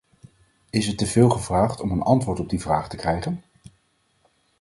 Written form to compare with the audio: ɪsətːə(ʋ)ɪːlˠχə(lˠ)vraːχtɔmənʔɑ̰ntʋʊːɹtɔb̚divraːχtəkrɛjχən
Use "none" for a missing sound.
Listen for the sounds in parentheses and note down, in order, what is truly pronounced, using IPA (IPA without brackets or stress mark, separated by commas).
v, none